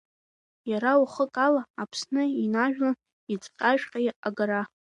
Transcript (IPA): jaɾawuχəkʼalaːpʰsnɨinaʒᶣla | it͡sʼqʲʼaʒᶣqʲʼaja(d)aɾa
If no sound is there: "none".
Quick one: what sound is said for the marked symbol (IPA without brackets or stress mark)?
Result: ɡ